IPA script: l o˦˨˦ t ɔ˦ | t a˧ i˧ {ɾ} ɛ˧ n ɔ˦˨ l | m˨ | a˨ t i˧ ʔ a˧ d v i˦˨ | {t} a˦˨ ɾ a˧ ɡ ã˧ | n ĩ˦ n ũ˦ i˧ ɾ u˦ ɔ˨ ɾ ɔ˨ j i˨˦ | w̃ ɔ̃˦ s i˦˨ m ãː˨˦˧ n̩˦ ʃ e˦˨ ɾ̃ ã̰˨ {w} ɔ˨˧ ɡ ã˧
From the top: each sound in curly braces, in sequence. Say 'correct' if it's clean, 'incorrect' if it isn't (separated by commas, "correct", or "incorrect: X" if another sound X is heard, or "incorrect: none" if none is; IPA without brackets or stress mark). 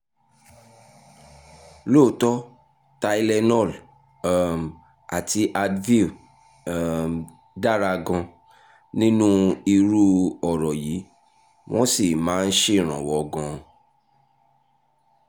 incorrect: l, incorrect: d, correct